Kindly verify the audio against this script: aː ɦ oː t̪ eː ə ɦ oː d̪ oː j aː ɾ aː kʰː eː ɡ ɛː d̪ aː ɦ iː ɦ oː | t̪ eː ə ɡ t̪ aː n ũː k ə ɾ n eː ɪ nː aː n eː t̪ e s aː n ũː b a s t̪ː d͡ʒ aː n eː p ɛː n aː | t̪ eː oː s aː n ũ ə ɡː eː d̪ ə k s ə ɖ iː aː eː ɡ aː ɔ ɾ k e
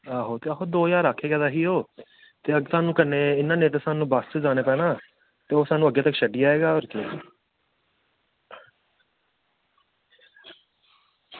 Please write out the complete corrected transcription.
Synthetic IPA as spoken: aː ɦ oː t̪ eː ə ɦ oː d̪ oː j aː ɾ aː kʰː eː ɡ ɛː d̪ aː ɦ iː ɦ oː | t̪ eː ə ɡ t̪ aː n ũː k ə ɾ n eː ɪ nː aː n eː t̪ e s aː n ũː b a s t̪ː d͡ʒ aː n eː p ɛː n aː | t̪ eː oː s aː n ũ ə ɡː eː t̪ ə k ʃ ə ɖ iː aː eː ɡ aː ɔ ɾ k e